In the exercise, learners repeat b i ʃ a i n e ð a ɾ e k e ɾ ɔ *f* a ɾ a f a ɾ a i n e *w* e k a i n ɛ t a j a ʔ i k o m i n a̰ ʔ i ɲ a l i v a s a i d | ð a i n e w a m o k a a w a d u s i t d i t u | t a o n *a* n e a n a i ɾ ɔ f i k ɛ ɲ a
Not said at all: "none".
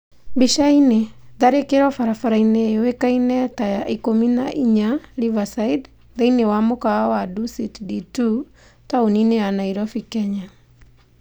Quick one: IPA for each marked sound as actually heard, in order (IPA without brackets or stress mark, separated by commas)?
f, w, i